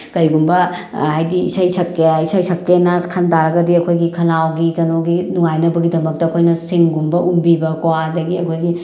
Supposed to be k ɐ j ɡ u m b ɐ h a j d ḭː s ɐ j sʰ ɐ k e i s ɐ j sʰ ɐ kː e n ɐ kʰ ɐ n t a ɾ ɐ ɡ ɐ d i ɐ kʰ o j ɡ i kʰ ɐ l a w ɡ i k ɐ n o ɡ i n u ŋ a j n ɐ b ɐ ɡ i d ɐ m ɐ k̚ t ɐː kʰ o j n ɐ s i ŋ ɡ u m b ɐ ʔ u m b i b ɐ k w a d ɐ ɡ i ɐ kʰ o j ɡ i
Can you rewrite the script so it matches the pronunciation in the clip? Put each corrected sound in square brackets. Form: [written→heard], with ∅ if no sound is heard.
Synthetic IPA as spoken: k ɐ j ɡ u m b ɐ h a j d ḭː s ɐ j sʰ ɐ k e i s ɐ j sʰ ɐ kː e n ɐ kʰ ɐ n t a ɾ ɐ ɡ ɐ d i ɐ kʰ o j ɡ i kʰ ɐ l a w ɡ i k ɐ n o ɡ i n u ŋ a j n ɐ b ɐ ɡ i d ɐ m ɐ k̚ t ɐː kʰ o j n ɐ s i ŋ ɡ u m b ɐ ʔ u m b i b ɐ k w a d ɐ ɡ i ɐ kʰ o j ɡ i

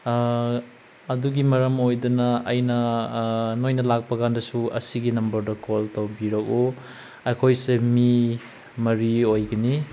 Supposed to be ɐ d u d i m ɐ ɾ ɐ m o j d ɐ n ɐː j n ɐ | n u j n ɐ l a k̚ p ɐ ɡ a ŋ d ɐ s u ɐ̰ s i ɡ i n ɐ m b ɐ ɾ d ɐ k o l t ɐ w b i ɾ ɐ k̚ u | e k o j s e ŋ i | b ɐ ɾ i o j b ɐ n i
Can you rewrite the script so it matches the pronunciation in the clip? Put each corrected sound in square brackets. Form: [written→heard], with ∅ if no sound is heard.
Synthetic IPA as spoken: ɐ d u [d→ɡ] i m ɐ ɾ ɐ m o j d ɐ n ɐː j n ɐ | n [u→o] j n ɐ l a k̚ p ɐ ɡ a [ŋ→n] d ɐ s u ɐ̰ s i ɡ i n ɐ m b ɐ ɾ d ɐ k o l t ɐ w b i ɾ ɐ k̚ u | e [k→kʰ] o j s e [ŋ→m] i | [b→m] ɐ ɾ i o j [b→ɡ] ɐ n i

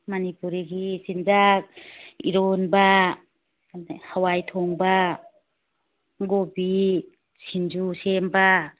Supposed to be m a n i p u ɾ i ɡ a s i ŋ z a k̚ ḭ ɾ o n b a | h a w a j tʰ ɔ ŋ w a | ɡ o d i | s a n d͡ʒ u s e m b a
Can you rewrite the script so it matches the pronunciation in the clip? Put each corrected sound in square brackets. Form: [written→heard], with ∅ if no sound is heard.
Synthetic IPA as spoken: m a n i p u ɾ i ɡ [a→i] s i [ŋ→n] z a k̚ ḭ ɾ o n b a | h a w a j tʰ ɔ ŋ [w→b] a | ɡ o [d→b] i | s [a→i] n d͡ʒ u s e m b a

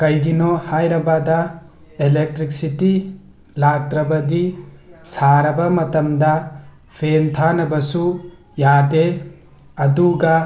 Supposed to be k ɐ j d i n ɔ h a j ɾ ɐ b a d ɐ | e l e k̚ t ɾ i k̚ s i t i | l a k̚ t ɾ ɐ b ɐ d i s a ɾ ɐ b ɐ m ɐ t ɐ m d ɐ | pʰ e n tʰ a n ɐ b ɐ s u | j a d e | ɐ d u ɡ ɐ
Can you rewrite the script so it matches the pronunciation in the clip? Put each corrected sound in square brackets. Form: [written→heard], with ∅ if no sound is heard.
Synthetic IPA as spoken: k ɐ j [d→ɡ] i n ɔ h a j ɾ ɐ b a d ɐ | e l e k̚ t ɾ i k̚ s i t i | l a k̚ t ɾ ɐ b ɐ d i s a ɾ ɐ b ɐ m ɐ t ɐ m d ɐ | pʰ e n tʰ a n ɐ b ɐ s u | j a d e | ɐ d u ɡ ɐ

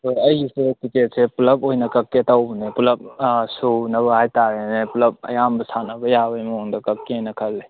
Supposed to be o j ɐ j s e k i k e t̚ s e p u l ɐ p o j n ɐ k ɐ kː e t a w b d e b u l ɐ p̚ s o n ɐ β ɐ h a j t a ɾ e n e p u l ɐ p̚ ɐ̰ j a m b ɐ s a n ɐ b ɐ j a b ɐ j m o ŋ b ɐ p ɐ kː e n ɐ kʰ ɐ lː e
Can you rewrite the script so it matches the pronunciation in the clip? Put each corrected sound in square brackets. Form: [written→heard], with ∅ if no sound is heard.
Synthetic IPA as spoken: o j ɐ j s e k i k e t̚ s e p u l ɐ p o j n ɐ k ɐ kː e t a w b [d→n] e [b→p] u l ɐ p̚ s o n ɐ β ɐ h a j t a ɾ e n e p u l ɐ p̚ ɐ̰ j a m b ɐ s a n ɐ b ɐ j a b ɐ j m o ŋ [b→d] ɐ [p→k] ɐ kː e n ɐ kʰ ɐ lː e

